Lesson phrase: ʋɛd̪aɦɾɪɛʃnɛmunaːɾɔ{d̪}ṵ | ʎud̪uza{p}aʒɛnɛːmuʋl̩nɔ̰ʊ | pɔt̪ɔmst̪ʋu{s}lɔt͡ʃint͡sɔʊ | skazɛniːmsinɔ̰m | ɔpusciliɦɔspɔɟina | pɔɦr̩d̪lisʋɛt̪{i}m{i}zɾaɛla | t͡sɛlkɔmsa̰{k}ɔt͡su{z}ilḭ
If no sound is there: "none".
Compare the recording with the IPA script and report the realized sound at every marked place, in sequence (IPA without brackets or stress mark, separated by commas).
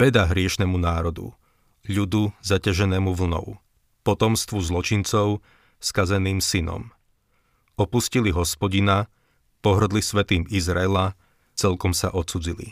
d̪, c, z, iː, i, ʔ, d͡z